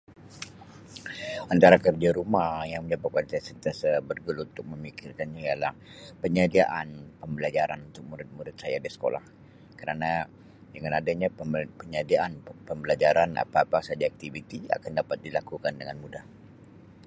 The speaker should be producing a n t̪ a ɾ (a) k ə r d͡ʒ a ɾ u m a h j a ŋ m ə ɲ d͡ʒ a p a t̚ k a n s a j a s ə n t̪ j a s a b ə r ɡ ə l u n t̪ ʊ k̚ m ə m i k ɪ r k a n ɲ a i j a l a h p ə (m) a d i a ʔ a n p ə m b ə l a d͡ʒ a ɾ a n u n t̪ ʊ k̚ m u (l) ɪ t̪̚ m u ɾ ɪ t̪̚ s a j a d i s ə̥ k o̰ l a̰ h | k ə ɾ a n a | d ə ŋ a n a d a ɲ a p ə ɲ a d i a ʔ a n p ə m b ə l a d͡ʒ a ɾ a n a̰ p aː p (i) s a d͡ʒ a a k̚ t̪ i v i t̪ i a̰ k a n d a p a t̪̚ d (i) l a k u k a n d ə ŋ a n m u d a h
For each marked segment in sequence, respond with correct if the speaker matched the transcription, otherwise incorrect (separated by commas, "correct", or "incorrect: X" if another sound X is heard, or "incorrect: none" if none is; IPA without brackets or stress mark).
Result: correct, incorrect: ɲ, incorrect: ɾ, incorrect: a, correct